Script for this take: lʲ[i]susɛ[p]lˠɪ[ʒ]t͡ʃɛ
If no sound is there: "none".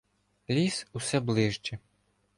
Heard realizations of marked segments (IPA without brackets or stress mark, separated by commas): i, b, ʒ